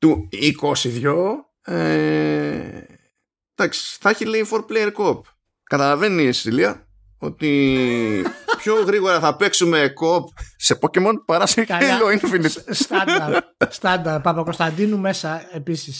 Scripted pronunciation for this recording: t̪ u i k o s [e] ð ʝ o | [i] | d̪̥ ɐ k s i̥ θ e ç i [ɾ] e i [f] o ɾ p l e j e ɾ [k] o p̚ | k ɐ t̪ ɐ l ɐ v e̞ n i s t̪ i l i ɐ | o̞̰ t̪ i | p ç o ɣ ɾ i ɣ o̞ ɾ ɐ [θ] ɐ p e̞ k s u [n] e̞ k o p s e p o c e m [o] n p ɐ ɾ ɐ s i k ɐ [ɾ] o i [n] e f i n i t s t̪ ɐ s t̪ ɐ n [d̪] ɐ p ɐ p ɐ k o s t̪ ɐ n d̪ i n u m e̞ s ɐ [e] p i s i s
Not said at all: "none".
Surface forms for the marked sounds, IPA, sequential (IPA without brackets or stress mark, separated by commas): i, e, l, f, k, θ, m, o, l, n, d̪, e